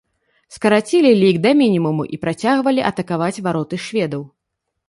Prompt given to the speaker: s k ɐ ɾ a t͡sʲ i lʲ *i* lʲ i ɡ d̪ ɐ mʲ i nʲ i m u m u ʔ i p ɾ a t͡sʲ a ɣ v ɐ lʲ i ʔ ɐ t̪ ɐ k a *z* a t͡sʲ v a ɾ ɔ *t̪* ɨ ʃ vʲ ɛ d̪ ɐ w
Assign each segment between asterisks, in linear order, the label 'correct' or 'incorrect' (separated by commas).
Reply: correct, incorrect, correct